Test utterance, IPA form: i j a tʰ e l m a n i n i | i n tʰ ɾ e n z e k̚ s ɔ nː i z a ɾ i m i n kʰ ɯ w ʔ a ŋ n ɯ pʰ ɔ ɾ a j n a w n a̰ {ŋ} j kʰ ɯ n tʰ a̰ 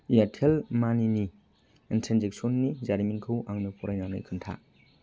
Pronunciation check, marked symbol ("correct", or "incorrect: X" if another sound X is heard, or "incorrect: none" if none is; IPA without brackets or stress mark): incorrect: none